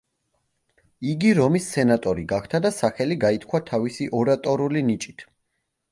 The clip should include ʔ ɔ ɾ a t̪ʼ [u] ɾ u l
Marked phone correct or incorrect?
incorrect